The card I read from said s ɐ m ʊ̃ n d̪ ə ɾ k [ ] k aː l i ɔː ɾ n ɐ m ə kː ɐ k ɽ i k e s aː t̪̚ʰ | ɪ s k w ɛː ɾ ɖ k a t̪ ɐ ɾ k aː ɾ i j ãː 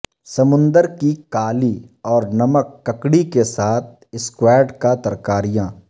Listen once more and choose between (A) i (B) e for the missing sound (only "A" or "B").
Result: A